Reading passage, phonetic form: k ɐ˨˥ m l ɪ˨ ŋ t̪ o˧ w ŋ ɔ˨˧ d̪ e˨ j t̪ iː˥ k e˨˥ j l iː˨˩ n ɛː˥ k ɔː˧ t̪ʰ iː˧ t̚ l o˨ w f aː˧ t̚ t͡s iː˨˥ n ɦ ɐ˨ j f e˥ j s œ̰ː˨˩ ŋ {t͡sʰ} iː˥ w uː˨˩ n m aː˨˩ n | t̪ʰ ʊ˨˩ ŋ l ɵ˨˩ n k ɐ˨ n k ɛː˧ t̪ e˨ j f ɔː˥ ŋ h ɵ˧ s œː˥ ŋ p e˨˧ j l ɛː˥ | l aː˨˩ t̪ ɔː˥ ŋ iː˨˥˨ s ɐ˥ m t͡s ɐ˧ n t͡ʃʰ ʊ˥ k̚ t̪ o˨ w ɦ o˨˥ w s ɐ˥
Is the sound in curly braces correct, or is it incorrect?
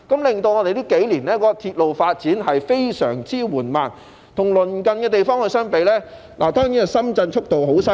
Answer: incorrect